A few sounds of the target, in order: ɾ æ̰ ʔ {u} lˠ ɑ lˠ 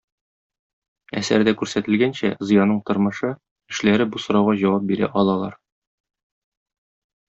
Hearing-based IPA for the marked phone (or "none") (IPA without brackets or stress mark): ɒ